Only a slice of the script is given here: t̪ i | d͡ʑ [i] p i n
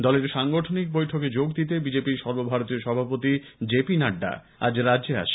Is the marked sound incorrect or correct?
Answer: incorrect